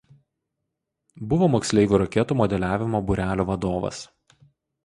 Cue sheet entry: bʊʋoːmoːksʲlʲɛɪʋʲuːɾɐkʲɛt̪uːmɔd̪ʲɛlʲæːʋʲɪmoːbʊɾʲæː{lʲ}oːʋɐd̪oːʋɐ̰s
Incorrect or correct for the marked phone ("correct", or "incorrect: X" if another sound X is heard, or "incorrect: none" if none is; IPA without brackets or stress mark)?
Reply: correct